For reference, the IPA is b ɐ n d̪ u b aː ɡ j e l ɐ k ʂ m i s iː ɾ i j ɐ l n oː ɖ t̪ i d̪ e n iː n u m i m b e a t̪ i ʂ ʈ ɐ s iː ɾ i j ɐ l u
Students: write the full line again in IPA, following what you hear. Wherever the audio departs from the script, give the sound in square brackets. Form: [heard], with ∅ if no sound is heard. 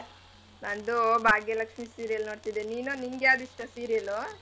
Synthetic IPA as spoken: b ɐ n d̪ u b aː ɡ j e l ɐ k ʂ m i s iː ɾ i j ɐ l n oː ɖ t̪ i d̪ e n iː n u [n] i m [ɡ] e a [d̪] i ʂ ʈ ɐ s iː ɾ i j ɐ l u